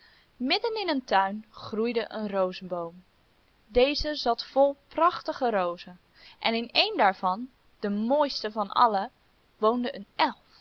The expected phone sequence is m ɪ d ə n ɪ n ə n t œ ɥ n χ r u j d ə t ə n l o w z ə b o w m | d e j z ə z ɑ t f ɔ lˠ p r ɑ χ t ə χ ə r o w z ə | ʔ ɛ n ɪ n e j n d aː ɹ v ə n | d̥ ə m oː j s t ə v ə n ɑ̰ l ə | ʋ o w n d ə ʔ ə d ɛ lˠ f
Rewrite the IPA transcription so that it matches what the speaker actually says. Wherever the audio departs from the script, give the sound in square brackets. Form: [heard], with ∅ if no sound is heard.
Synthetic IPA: m ɪ d ə n ɪ n ə n t œ ɥ n χ r u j d ə [ʔ] ə n [r] o w z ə b o w m | d e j z ə z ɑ t f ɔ lˠ p r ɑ χ t ə χ ə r o w z ə | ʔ ɛ n ɪ n e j n d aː ɹ v [ɑ] n | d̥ ə m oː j s t ə v [ɑ] n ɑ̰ l ə | ʋ o w n d ə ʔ ə [n] ɛ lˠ f